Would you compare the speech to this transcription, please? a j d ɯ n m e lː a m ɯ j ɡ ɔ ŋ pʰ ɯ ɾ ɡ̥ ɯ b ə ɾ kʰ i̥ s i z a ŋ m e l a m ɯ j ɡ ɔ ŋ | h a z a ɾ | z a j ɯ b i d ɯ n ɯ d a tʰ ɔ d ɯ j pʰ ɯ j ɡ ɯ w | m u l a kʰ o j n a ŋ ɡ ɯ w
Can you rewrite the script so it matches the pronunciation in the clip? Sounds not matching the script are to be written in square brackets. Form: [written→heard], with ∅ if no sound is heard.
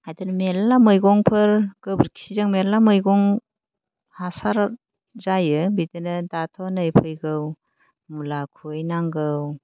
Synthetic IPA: a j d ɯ n m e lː a m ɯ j ɡ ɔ ŋ pʰ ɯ ɾ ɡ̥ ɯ b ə ɾ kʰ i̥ s i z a ŋ m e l a m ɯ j ɡ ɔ ŋ | h a [z→s] a ɾ | z a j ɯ b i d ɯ n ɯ d a tʰ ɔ [d→n] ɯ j pʰ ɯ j ɡ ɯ w | m u l a kʰ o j n a ŋ ɡ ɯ w